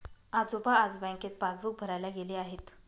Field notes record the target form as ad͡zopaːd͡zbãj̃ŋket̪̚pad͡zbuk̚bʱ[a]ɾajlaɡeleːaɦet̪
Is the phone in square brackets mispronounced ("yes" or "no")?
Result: yes